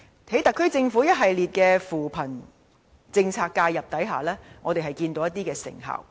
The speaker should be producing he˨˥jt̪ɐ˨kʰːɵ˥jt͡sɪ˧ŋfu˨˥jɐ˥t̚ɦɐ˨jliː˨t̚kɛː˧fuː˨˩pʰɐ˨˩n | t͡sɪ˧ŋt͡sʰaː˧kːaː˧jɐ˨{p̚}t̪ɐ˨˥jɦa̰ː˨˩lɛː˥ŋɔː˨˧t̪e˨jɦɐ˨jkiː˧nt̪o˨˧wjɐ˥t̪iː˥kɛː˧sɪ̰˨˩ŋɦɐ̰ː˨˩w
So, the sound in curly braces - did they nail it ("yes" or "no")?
yes